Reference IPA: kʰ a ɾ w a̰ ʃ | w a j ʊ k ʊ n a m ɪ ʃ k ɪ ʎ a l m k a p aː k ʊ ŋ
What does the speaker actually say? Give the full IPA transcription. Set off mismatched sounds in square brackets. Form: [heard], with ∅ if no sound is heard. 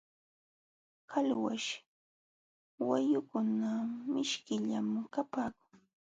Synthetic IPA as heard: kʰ a [l] w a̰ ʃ | w a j ʊ k ʊ n a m ɪ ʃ k ɪ ʎ a [∅] m k a p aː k ʊ ŋ